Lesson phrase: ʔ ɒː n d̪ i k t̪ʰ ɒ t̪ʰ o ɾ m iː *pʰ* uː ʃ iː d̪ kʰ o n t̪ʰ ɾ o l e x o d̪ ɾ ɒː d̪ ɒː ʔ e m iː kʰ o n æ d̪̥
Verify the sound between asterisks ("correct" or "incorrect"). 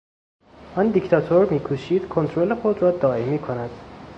incorrect